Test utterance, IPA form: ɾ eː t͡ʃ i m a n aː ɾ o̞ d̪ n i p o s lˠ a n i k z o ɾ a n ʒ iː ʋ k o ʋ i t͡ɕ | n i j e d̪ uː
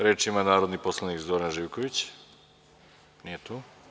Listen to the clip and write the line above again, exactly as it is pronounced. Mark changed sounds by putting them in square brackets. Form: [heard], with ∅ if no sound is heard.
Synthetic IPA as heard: ɾ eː t͡ʃ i m a n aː ɾ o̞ d̪ n i p o s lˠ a n i k z o ɾ a n ʒ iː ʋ k o ʋ i t͡ɕ | n i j e [t̪] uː

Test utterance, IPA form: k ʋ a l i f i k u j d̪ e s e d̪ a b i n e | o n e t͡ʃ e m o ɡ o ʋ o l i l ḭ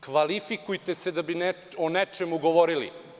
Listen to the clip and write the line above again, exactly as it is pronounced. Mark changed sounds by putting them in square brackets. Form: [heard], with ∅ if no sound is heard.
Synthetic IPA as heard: k ʋ a l i f i k u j [t̪] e s e d̪ a b i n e | o n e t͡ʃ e m [u] ɡ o ʋ o [ɾ] i l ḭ

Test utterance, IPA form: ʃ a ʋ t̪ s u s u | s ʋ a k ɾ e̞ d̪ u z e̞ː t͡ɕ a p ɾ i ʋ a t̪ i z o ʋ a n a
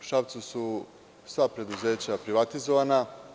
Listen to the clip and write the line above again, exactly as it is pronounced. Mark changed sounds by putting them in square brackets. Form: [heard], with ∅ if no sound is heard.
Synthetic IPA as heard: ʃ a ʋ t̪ s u s u | s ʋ a [p] ɾ e̞ d̪ u z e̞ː t͡ɕ a p ɾ i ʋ a t̪ i z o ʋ a n a

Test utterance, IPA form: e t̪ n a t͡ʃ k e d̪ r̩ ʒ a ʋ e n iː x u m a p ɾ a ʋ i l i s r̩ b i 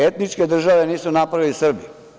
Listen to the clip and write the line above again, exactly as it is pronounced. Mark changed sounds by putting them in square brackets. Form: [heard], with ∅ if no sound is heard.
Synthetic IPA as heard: e t̪ n [i] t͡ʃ k e d̪ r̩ ʒ a ʋ e n iː [s] u [n] a p ɾ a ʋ i l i s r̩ b i

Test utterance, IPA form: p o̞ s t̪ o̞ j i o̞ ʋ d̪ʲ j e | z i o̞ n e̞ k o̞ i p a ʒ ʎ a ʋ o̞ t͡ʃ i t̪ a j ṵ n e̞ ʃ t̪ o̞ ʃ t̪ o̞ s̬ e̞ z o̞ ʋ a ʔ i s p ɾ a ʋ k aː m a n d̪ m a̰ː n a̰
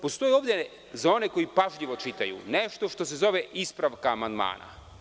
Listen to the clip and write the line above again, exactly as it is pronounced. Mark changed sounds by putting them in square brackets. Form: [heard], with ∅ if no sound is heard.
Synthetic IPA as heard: p o̞ s t̪ o̞ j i o̞ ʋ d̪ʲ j e | z [a] o̞ n e̞ k o̞ i p a ʒ ʎ [i] ʋ o̞ t͡ʃ i t̪ a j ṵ n e̞ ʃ t̪ o̞ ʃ t̪ o̞ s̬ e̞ z o̞ ʋ [e] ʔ i s p ɾ a ʋ k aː m a n d̪ m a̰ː n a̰

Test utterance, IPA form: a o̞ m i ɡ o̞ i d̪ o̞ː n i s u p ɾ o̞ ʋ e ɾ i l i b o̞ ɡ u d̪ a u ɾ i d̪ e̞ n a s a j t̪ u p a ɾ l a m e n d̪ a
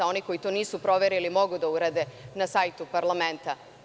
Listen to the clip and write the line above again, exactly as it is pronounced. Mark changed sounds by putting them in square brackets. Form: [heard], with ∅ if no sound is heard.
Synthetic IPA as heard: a o̞ [n] i [k] o̞ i [t̪] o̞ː n [iː] s u p ɾ o̞ ʋ e ɾ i l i [m] o̞ ɡ u d̪ a u ɾ [a] d̪ e̞ n a s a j t̪ u p a ɾ l a m e n [t̪] a

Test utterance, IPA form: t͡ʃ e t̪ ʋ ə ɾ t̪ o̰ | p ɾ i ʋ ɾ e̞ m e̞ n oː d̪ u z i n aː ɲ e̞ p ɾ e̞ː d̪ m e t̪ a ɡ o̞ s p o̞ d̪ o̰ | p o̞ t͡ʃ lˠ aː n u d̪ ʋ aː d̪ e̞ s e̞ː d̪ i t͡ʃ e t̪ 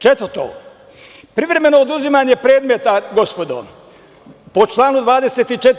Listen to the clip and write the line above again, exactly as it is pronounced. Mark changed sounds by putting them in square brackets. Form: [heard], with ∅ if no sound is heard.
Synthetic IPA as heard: t͡ʃ e t̪ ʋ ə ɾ t̪ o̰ | p ɾ i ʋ ɾ e̞ m e̞ n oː d̪ u z i [m] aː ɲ e̞ p ɾ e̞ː d̪ m e t̪ a ɡ o̞ s p o̞ d̪ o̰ | p o̞ t͡ʃ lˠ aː n u d̪ ʋ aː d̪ e̞ s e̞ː [t̪] i t͡ʃ e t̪

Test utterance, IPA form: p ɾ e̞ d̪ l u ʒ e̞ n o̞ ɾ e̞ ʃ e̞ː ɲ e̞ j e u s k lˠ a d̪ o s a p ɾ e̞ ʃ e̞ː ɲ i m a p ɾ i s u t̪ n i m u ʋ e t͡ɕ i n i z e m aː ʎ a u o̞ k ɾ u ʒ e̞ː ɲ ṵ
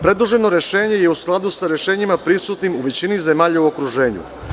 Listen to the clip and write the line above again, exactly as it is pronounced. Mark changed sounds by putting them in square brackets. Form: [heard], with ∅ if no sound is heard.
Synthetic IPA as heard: p ɾ e̞ d̪ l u ʒ e̞ n o̞ ɾ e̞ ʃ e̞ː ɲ e̞ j e u s k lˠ a d̪ [u] s a [∅] ɾ e̞ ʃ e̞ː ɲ i m a p ɾ i s u t̪ n i m u ʋ e t͡ɕ i n i z e m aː ʎ a u o̞ k ɾ u ʒ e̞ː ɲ ṵ

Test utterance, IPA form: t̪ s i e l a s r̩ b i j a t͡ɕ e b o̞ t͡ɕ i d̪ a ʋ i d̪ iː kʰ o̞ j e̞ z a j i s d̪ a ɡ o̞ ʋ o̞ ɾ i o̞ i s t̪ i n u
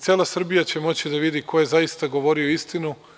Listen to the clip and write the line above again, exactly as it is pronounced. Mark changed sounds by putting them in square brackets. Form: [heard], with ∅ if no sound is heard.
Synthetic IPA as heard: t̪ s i e l a s r̩ b i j a t͡ɕ e [m] o̞ t͡ɕ i d̪ a ʋ i d̪ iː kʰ o̞ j e̞ z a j i s [t̪] a ɡ o̞ ʋ o̞ ɾ i o̞ i s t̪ i n u

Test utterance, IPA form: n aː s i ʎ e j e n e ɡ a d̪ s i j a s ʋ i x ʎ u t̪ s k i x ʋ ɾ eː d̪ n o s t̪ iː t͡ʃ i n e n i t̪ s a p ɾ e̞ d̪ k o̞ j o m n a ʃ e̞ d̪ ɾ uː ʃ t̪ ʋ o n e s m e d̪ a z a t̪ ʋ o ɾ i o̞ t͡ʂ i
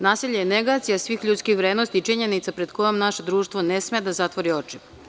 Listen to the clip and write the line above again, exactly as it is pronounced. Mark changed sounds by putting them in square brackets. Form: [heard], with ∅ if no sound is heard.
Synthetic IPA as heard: n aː s i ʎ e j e n e ɡ a [t̪] s i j a s ʋ i x ʎ u t̪ s k i x ʋ ɾ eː d̪ n o s t̪ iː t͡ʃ i [ɲ] e n i t̪ s a p ɾ e̞ d̪ k o̞ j o m n a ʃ e̞ d̪ ɾ uː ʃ t̪ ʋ o n e s m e d̪ a z a t̪ ʋ o ɾ i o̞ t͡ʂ i

